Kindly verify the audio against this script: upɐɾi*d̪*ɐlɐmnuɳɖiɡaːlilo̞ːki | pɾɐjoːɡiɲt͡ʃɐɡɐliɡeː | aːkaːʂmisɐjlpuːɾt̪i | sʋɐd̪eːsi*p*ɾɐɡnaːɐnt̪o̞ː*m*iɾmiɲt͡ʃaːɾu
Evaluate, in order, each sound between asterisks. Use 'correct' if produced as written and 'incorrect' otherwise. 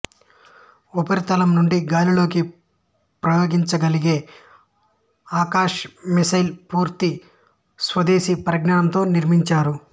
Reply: incorrect: t̪, correct, incorrect: n

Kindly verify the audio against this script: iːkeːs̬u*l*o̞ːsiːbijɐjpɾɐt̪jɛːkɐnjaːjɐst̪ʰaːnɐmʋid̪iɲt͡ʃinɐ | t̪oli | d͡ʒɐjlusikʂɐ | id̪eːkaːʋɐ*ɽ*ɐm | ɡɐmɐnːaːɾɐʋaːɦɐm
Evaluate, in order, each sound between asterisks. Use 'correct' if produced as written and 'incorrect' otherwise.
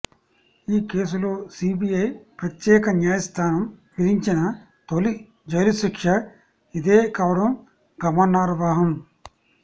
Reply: correct, correct

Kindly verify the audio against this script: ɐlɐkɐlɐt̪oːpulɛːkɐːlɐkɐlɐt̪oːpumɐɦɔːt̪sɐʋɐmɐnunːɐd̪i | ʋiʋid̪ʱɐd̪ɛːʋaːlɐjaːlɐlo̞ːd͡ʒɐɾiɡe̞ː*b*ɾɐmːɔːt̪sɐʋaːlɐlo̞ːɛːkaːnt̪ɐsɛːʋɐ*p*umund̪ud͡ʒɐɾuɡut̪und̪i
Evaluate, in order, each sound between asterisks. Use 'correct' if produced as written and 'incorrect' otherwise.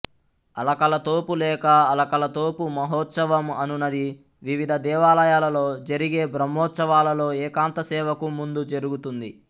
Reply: correct, incorrect: k

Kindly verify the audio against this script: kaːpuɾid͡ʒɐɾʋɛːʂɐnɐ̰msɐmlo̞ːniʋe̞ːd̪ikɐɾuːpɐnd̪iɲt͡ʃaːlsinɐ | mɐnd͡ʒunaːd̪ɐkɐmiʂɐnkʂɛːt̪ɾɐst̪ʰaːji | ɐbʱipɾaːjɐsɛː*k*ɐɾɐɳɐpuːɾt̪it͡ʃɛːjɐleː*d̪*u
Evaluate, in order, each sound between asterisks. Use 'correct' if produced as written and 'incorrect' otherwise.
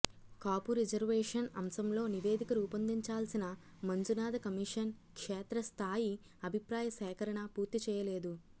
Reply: correct, correct

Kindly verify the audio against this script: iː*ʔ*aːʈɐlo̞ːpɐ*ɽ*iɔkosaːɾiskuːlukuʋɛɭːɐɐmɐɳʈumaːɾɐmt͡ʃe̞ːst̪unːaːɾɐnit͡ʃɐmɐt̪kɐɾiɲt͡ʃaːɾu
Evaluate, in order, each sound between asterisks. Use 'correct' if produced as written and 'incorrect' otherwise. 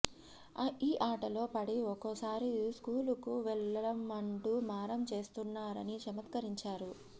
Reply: correct, correct

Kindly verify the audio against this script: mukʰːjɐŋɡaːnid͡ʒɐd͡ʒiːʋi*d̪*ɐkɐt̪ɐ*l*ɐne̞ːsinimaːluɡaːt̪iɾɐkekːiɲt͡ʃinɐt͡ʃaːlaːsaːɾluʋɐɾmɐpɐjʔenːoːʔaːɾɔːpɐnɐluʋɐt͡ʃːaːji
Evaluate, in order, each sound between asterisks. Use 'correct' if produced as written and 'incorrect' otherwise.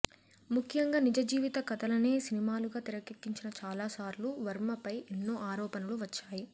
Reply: incorrect: t̪, correct

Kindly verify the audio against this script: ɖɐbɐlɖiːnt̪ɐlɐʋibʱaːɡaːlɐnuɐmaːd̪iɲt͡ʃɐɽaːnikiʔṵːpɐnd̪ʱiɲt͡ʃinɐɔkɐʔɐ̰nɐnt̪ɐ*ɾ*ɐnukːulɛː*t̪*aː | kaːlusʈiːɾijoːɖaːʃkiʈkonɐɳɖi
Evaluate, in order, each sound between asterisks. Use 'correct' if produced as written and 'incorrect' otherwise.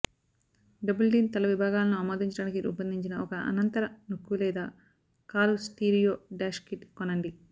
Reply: correct, incorrect: d̪

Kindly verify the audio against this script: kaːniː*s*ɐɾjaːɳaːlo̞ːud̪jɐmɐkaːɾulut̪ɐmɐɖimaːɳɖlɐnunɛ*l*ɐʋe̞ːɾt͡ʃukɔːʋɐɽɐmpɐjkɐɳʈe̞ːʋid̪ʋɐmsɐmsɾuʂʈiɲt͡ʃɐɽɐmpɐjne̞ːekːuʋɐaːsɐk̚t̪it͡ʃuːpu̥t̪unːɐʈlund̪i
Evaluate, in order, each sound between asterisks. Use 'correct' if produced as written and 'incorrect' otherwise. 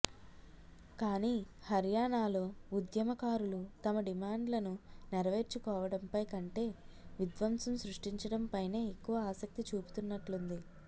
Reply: incorrect: h, incorrect: ɾ

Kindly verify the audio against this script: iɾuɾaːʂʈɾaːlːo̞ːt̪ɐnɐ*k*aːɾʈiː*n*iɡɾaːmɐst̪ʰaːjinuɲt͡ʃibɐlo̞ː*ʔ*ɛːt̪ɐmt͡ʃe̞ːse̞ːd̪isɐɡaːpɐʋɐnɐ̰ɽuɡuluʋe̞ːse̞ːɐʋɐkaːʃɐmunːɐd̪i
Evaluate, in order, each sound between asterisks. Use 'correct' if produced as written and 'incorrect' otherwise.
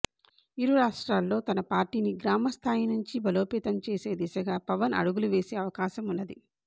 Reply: incorrect: p, correct, incorrect: p

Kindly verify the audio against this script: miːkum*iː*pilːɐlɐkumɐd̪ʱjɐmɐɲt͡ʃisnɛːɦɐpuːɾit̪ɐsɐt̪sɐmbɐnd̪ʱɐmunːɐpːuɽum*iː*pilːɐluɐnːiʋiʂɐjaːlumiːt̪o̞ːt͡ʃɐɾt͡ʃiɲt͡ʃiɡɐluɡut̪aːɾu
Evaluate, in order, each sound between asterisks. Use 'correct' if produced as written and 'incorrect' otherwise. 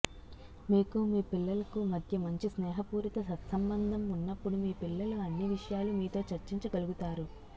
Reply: correct, correct

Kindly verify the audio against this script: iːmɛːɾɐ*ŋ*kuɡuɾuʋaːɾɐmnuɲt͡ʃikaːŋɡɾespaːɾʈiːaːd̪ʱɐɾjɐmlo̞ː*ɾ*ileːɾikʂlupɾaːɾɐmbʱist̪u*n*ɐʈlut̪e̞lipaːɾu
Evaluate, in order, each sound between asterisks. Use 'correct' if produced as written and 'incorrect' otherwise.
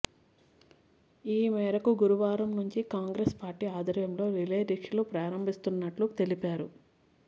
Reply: incorrect: none, correct, incorrect: nː

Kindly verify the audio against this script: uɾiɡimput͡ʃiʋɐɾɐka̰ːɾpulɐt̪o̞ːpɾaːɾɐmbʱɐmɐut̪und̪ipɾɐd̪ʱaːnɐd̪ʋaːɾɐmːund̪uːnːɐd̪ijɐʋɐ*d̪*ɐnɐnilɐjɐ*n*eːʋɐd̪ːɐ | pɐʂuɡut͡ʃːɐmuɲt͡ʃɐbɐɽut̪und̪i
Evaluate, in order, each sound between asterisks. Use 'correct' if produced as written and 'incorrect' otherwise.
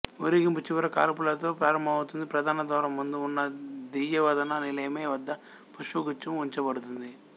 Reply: correct, incorrect: m

